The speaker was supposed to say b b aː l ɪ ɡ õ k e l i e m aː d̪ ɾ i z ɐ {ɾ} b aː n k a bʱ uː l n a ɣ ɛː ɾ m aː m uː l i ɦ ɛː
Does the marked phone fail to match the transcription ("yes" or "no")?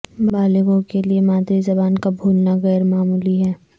yes